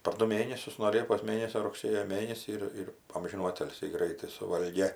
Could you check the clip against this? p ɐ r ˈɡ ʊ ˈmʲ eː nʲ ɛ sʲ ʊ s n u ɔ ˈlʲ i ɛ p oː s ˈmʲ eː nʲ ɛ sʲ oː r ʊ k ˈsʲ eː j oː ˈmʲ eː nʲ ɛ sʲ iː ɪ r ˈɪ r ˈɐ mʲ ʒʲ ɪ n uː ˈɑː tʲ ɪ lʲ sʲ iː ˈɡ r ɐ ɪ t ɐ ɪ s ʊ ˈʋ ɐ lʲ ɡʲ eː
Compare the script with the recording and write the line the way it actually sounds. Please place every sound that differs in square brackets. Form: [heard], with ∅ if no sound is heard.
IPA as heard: p ɐ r [ˈd] ʊ ˈmʲ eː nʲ ɛ sʲ ʊ s n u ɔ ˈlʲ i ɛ p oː s ˈmʲ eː nʲ ɛ sʲ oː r ʊ k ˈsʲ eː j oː ˈmʲ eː nʲ ɛ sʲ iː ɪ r ˈɪ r ˈɐ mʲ ʒʲ ɪ n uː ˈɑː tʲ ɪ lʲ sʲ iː ˈɡ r ɐ ɪ t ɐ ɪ s ʊ ˈʋ ɐ lʲ ɡʲ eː